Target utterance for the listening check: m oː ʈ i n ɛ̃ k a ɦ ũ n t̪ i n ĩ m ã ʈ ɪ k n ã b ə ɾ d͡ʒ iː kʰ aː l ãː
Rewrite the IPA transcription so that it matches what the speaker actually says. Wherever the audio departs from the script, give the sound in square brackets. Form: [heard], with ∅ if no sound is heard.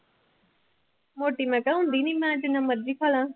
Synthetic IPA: m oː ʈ i [m] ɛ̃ k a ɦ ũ n [d̪] i n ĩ m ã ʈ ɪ [∅] n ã [m] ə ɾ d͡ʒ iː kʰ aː l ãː